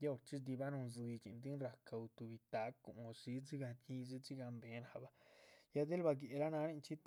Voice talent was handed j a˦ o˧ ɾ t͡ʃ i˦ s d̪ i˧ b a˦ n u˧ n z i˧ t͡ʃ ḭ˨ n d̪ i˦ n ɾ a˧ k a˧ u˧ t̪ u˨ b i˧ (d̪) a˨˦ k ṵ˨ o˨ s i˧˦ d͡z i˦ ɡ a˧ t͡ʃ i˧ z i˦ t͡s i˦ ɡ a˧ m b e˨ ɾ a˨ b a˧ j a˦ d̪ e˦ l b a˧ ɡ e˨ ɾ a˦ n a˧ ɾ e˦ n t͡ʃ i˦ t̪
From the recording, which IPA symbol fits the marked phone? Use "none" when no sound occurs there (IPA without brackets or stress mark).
t̪